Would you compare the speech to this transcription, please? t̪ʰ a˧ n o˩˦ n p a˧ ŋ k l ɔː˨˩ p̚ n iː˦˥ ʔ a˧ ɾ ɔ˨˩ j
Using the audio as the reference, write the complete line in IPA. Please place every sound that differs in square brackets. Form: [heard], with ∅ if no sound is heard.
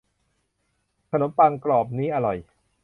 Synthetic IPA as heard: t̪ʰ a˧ n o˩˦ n p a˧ ŋ k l ɔː˨˩ p̚ n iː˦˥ ʔ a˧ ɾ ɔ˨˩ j